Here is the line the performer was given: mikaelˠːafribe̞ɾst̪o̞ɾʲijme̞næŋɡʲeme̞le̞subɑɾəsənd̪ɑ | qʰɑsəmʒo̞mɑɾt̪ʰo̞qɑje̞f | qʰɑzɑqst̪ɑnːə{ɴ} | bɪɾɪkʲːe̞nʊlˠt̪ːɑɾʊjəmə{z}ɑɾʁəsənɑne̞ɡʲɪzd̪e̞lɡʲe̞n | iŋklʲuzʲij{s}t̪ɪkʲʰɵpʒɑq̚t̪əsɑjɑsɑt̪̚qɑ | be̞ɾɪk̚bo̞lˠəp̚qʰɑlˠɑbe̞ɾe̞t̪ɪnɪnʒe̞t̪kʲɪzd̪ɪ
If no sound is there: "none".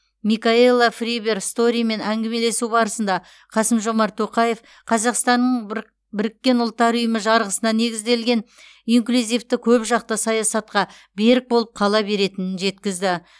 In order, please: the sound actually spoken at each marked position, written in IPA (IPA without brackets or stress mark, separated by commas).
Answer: ɴ, ʒ, f